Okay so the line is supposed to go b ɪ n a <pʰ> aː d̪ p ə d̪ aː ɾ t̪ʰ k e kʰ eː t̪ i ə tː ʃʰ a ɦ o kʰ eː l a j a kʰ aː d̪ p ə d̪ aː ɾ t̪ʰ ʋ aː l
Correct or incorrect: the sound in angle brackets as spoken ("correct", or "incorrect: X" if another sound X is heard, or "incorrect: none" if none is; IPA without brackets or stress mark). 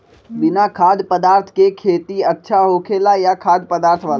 incorrect: kʰ